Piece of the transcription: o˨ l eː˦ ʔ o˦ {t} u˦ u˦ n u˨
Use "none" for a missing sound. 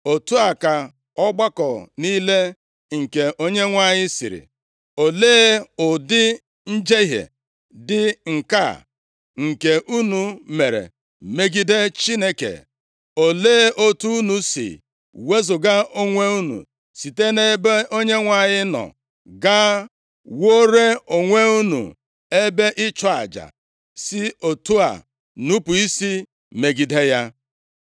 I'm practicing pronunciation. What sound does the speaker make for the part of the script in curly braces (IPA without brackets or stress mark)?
t